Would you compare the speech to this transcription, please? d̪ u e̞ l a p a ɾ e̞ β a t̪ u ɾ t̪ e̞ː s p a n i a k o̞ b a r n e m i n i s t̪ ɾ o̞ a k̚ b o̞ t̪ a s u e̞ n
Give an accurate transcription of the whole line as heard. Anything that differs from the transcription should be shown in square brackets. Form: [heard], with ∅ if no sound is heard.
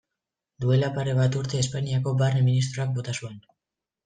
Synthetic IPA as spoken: d̪ u e̞ l a p a ɾ e̞ β a t̪ u ɾ t̪ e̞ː s p a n i a k o̞ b a r n e m i n i s t̪ ɾ o̞ a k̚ b o̞ t̪ a s u e̞ n